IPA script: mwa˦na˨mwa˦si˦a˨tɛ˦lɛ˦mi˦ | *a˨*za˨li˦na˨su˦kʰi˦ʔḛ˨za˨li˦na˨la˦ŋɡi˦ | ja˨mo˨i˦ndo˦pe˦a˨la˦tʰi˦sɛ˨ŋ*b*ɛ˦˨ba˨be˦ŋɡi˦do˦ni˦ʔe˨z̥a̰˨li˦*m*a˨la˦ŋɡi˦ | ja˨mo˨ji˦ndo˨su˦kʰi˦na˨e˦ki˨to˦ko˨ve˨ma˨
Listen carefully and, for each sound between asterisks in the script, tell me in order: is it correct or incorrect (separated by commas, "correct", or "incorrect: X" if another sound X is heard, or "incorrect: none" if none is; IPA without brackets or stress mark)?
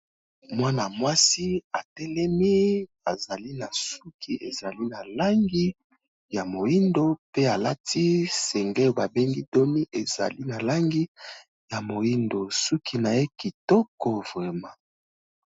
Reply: correct, incorrect: ɡ, incorrect: n